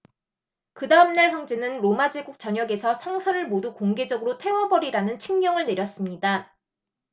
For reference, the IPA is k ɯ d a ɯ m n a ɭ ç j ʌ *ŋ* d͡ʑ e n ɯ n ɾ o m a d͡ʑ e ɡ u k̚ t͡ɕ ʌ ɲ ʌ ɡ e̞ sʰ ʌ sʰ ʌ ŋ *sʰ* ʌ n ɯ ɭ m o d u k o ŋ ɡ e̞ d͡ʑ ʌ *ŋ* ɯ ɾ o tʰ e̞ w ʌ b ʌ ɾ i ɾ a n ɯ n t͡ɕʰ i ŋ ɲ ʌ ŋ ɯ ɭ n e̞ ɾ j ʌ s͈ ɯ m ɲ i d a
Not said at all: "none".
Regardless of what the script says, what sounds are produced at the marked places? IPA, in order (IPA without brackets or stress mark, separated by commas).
ŋ, sʰ, ɡ